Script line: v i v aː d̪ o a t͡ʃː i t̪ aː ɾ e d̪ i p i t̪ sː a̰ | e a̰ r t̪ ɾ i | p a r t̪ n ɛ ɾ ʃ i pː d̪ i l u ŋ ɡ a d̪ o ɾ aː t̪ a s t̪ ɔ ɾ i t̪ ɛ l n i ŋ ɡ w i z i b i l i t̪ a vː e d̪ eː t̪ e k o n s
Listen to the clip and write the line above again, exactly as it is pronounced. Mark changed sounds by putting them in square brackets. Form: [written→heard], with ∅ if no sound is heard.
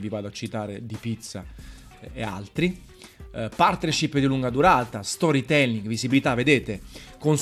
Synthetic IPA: v i v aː d̪ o a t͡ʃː i t̪ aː ɾ e d̪ i p i t̪ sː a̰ | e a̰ [r→l] t̪ ɾ i | p a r t̪ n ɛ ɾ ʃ i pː d̪ i l u ŋ ɡ a d̪ [o→u] ɾ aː t̪ a s t̪ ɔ ɾ i t̪ ɛ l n i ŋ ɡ [w→v] i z i b i l i t̪ a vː e d̪ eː t̪ e k o n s